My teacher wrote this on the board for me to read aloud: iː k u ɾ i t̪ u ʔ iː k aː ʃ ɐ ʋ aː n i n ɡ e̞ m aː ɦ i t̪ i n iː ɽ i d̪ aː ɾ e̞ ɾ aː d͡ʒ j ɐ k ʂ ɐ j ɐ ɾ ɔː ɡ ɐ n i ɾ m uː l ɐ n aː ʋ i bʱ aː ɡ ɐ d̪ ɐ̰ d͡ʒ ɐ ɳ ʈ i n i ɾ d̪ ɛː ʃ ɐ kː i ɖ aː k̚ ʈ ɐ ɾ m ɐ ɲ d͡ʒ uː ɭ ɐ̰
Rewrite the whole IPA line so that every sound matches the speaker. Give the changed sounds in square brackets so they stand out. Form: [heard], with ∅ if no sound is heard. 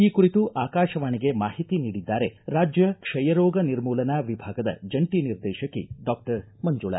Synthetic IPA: iː k u ɾ i t̪ u ʔ [aː] k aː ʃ ɐ ʋ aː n i [∅] ɡ e̞ m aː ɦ i t̪ i n iː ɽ i [d̪ː] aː ɾ e̞ ɾ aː d͡ʒ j ɐ k ʂ ɐ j ɐ ɾ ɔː ɡ ɐ n i ɾ m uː l ɐ n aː ʋ i bʱ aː ɡ ɐ d̪ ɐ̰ d͡ʒ ɐ ɳ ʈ i n i ɾ d̪ ɛː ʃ ɐ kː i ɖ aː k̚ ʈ ɐ ɾ m ɐ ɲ d͡ʒ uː ɭ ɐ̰